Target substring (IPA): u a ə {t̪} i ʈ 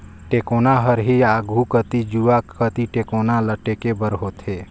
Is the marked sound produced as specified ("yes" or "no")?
yes